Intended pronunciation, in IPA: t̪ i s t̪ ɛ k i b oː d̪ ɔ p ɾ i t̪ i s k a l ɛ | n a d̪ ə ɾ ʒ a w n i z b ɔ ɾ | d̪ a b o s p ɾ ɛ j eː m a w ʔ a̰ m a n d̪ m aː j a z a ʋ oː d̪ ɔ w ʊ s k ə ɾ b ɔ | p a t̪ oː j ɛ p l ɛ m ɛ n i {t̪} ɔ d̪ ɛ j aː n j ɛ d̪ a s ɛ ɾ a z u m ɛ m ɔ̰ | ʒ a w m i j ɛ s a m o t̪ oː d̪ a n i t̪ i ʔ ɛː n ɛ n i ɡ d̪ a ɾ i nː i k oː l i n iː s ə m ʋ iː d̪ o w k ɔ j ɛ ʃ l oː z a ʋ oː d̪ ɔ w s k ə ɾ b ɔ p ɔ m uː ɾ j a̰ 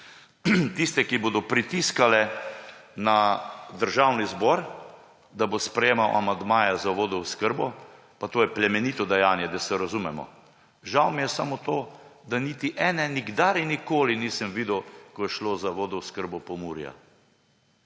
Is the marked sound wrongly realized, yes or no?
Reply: no